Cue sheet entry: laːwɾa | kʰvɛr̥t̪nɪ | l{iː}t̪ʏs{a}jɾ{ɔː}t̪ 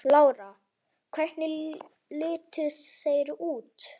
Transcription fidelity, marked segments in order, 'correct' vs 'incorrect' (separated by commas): incorrect, incorrect, incorrect